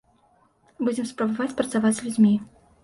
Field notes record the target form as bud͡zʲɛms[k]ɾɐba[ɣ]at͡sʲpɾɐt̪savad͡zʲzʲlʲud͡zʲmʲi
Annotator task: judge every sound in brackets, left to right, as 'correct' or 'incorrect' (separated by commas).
incorrect, incorrect